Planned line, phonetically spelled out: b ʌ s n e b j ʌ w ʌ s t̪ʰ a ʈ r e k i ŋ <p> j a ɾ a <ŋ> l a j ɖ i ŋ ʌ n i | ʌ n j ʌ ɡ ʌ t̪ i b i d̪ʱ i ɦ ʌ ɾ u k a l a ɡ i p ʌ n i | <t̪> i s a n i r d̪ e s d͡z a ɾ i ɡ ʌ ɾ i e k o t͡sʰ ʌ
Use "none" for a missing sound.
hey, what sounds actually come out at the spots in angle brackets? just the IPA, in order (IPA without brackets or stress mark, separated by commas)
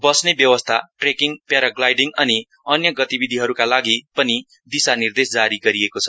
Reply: p, ɡ, d̪